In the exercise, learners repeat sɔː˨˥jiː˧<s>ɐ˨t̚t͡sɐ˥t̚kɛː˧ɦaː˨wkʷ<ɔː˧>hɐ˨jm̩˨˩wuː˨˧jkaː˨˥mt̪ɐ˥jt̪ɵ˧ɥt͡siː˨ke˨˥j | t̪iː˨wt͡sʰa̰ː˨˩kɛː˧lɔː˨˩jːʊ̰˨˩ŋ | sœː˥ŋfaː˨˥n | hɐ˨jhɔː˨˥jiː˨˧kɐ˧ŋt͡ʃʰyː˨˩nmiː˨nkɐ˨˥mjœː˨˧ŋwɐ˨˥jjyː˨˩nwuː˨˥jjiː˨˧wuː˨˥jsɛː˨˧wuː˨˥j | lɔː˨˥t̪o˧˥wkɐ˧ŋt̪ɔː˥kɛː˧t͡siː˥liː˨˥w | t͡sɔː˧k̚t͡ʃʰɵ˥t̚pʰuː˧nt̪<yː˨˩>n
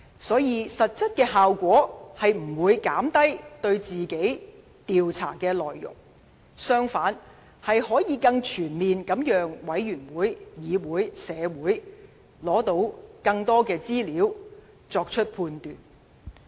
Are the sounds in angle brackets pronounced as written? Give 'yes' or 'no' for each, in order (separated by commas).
yes, no, yes